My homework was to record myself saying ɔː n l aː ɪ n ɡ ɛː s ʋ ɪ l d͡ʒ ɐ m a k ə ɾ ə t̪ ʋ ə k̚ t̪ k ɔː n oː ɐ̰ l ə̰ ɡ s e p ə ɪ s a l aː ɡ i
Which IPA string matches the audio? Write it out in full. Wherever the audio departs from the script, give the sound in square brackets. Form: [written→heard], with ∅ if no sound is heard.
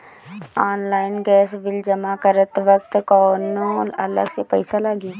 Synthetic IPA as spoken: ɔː n l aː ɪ n ɡ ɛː s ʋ ɪ l d͡ʒ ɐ m a k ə ɾ ə t̪ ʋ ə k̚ t̪ k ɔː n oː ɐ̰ l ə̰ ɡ s e p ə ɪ s a l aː ɡ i